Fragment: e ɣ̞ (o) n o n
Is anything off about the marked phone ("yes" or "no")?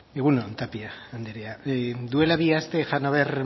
yes